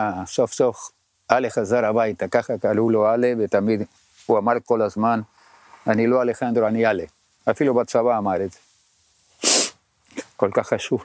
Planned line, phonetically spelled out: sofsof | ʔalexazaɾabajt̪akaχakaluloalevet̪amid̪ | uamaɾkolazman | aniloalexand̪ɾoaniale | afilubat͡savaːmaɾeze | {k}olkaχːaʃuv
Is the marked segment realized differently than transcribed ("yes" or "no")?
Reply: no